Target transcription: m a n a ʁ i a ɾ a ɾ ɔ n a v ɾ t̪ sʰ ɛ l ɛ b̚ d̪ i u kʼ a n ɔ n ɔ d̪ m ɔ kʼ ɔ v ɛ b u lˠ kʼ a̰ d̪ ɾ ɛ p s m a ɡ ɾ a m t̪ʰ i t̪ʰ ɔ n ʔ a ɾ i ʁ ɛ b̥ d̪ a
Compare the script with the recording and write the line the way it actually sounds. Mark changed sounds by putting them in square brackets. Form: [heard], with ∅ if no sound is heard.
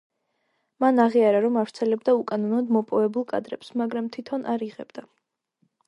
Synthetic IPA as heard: m a n a ʁ i a ɾ a ɾ ɔ [m] a v ɾ t̪ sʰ ɛ l ɛ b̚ d̪ [a] u kʼ a n ɔ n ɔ d̪ m ɔ [pʼ] ɔ v ɛ b u lˠ kʼ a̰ d̪ ɾ ɛ p s m a ɡ ɾ a m t̪ʰ i t̪ʰ ɔ n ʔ a ɾ i ʁ ɛ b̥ d̪ a